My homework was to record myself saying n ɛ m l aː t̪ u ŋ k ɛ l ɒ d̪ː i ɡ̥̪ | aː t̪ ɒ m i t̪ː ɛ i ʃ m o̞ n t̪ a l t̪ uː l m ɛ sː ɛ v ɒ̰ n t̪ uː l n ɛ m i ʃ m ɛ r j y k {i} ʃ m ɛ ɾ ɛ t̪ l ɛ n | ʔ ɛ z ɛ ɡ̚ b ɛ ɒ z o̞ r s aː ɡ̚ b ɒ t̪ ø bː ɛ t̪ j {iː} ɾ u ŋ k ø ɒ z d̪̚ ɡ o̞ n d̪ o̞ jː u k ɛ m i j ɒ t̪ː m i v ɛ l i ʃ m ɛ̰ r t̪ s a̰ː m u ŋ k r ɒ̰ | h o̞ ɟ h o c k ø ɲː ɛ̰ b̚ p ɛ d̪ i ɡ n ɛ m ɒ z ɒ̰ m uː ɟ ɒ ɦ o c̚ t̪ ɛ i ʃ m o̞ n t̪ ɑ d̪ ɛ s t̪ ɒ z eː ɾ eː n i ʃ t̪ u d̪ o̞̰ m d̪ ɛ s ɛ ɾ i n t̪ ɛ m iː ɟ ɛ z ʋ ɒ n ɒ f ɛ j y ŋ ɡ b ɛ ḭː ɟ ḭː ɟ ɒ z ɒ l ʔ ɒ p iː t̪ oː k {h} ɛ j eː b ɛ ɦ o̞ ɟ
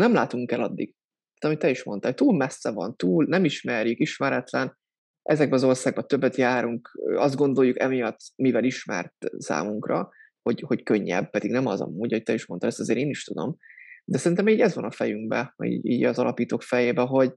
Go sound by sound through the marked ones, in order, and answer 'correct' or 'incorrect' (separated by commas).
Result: correct, incorrect, incorrect